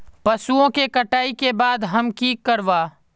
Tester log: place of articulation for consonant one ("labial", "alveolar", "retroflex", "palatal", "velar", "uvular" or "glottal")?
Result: labial